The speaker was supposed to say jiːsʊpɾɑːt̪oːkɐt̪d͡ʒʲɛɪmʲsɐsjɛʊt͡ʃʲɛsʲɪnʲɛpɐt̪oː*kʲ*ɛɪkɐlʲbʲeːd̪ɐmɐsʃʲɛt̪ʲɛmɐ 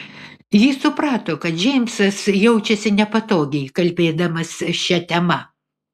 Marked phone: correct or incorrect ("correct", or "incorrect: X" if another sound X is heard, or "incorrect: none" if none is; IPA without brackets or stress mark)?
incorrect: ɡʲ